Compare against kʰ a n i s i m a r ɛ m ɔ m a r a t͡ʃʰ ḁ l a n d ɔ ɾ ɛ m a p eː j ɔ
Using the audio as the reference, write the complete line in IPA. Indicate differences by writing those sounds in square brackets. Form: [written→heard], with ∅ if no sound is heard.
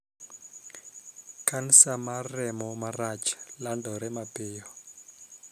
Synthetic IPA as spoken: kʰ a n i s [i→a] m a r ɛ m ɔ m a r a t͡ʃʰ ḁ l a n d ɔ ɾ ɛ m a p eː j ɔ

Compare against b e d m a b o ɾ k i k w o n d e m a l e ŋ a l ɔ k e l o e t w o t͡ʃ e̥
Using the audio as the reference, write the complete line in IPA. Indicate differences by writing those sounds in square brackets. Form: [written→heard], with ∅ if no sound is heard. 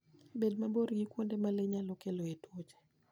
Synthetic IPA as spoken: b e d m a b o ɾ [k→ɡ] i k w o n d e m a l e [ŋ→ɲ] a l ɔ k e l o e t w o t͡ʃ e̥

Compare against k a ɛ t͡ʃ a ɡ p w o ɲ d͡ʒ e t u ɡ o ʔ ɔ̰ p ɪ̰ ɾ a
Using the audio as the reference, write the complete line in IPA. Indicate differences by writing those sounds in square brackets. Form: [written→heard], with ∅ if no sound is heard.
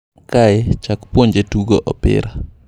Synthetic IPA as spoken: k a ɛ t͡ʃ a [ɡ→k] p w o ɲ d͡ʒ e t u ɡ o ʔ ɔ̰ p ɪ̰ ɾ a

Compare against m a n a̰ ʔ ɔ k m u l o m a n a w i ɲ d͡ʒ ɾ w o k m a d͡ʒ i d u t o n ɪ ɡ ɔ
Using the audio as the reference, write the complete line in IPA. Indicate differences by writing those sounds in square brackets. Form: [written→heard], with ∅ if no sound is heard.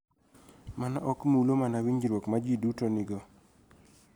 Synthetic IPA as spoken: m a n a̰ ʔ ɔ k m u l o m a n a w i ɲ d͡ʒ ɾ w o k m a d͡ʒ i d u t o n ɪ ɡ ɔ

